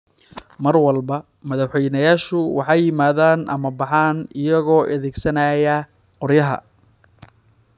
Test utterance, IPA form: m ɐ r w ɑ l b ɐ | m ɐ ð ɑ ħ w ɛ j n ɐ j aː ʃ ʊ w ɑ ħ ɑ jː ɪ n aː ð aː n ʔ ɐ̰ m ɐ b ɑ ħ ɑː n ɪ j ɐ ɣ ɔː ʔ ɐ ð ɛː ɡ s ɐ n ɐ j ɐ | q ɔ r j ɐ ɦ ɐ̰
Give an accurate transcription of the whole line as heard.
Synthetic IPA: m ɐ r w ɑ l b ɐ | m ɐ ð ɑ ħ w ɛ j n ɐ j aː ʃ ʊ w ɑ ħ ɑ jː ɪ m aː ð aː n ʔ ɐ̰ m ɐ b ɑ ħ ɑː n ɪ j ɐ ɣ ɔː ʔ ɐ ð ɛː ɡ s ɐ n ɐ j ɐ | q ɔ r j ɐ ɦ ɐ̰